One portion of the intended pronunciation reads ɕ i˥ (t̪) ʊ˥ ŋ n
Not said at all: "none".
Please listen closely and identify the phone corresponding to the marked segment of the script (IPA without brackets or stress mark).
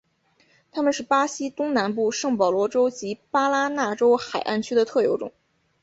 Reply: t̪